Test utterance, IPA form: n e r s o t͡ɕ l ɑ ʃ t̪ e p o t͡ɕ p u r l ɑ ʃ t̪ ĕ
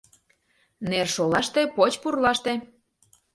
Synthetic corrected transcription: n e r ʃ o l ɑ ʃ t̪ e p o t͡ɕ p u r l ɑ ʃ t̪ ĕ